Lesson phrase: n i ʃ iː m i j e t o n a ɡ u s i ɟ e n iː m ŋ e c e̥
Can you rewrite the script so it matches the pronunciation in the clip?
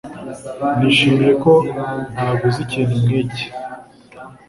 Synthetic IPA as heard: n i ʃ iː m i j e k o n a ɡ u z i c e n i m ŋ e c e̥